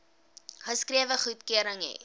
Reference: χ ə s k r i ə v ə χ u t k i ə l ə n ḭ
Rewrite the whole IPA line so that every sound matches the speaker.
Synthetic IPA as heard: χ ə s k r i ə v ə χ u t k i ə ɾ ə ŋ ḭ

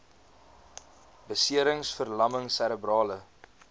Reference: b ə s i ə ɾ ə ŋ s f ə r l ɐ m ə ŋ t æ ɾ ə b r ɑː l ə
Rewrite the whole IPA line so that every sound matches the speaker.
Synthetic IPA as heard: b ə s i ə ɾ ə ŋ s f ə r l ɐ m ə ŋ s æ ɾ ə b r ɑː l ə

